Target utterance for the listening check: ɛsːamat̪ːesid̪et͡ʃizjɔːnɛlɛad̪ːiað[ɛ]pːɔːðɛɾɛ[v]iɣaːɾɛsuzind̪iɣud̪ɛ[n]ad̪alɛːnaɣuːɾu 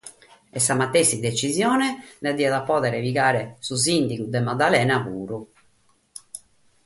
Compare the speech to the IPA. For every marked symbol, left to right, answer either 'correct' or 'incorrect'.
incorrect, correct, incorrect

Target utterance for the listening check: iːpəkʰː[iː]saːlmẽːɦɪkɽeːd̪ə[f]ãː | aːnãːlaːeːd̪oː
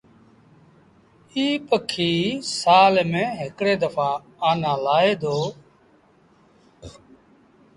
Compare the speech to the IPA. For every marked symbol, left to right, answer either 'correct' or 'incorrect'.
correct, correct

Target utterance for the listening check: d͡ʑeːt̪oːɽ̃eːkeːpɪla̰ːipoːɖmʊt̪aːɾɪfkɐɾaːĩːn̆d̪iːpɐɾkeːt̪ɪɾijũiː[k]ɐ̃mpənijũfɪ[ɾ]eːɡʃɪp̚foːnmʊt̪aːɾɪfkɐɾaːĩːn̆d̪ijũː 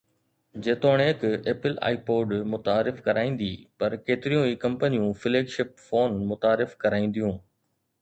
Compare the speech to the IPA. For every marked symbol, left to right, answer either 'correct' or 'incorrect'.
correct, incorrect

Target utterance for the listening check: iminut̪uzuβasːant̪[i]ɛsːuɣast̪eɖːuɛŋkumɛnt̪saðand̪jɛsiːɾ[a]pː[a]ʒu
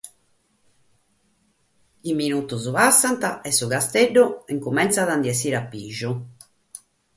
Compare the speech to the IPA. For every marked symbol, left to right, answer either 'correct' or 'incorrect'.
incorrect, correct, incorrect

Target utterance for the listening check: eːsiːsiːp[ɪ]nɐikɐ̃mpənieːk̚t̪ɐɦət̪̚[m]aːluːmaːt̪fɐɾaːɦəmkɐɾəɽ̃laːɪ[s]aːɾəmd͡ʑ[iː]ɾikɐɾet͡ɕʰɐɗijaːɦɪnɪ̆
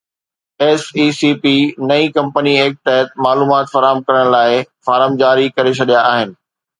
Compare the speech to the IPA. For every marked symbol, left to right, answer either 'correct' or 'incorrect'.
incorrect, correct, incorrect, incorrect

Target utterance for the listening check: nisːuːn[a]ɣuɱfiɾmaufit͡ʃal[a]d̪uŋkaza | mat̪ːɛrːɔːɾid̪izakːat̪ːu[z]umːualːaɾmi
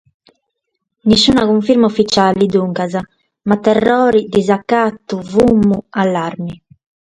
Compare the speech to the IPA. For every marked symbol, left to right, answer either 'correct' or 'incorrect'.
correct, incorrect, incorrect

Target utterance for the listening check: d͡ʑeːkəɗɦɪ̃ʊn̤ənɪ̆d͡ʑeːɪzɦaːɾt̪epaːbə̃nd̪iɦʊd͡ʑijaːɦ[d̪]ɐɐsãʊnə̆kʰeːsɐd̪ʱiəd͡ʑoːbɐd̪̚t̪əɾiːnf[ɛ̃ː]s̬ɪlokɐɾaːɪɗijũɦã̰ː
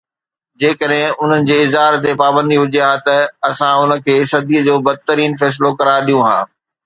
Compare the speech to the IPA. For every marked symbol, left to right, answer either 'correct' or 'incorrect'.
incorrect, incorrect

